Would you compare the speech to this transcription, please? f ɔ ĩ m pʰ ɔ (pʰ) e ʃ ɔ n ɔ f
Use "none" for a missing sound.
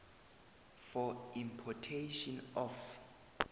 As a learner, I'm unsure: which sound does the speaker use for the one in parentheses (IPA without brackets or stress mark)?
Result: tʰ